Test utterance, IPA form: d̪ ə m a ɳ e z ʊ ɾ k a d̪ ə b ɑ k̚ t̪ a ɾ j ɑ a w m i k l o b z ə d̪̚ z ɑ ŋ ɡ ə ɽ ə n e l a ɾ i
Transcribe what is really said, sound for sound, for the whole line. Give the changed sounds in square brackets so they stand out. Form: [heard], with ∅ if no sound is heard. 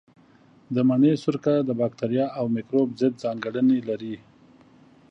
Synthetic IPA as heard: d̪ ə m a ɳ e [s] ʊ ɾ k a d̪ ə b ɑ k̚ t̪ a ɾ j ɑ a w m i k [ɾ] o b z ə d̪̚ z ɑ ŋ ɡ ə ɽ ə n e l a ɾ i